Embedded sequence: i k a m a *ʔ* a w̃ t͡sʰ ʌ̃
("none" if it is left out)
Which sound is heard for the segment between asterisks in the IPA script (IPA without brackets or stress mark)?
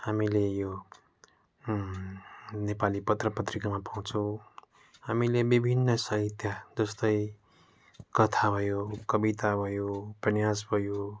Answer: p